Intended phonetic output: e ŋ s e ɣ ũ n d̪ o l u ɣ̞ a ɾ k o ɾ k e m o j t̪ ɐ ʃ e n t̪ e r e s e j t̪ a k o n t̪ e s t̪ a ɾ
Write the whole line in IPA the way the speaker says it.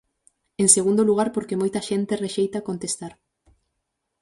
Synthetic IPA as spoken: e ŋ s e ɣ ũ n d̪ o l u ɣ̞ a ɾ p o ɾ k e m o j t̪ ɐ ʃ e n t̪ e r e ʃ e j t̪ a k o n t̪ e s t̪ a ɾ